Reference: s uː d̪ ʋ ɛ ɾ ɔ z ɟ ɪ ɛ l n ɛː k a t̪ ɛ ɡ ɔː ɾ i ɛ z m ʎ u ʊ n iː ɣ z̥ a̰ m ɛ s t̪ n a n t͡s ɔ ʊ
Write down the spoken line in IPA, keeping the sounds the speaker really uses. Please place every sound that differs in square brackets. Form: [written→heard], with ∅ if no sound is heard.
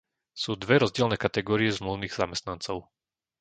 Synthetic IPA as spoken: s uː d̪ ʋ ɛ ɾ ɔ z ɟ ɪ ɛ l n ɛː k a t̪ ɛ ɡ ɔː ɾ i ɛ z m [ʎ→l] u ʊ n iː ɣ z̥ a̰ m ɛ s t̪ n a n t͡s ɔ ʊ